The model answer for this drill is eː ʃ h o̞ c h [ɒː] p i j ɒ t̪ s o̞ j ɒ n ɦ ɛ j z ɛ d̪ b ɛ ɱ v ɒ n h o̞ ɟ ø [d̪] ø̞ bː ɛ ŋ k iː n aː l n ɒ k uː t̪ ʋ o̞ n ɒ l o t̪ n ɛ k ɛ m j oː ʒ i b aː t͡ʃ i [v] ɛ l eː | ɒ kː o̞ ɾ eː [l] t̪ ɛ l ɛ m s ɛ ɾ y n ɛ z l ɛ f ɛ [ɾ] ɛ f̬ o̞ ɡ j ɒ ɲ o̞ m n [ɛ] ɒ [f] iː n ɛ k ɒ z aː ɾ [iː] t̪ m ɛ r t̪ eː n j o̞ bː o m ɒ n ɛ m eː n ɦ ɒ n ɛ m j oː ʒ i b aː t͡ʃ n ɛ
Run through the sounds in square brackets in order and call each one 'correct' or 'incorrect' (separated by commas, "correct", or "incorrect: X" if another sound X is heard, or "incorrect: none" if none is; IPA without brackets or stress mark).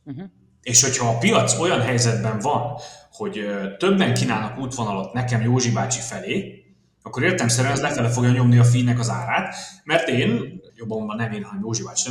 correct, incorrect: t̪, incorrect: f, incorrect: r, incorrect: l, incorrect: i, correct, incorrect: aː